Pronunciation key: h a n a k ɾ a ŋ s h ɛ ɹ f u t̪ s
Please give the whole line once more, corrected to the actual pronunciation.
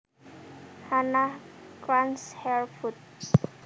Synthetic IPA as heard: h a n a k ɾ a n s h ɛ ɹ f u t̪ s